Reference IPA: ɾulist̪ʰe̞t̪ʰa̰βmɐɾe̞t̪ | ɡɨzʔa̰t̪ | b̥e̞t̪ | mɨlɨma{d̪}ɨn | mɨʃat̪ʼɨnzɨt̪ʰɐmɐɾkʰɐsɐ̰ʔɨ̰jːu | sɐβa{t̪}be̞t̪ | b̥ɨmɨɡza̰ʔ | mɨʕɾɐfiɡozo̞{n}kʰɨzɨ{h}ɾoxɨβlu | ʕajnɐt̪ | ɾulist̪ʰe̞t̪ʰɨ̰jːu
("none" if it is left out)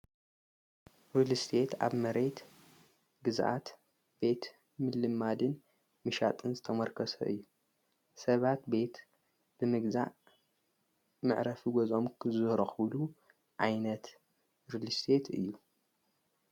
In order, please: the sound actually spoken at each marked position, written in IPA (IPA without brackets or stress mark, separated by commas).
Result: d̪, t̪, m, h